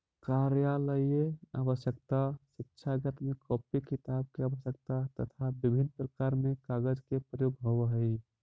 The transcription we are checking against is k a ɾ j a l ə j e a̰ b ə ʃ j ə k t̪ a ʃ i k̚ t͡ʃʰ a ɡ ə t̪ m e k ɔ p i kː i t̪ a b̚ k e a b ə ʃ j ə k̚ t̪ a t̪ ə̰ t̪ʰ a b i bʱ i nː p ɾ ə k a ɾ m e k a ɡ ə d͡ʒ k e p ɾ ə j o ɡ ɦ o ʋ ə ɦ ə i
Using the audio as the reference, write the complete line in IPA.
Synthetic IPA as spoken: k a ɾ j a l ə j e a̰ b ə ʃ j ə k t̪ a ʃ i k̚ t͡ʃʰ a ɡ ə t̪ m e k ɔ p i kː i t̪ a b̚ k e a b ə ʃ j ə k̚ t̪ a t̪ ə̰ t̪ʰ a b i bʱ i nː p ɾ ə k a ɾ m e k a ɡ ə d͡ʒ k e p ɾ ə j o ɡ ɦ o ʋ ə ɦ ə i